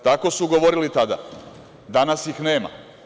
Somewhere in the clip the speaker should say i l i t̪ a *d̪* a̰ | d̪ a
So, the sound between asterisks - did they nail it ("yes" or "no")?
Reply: yes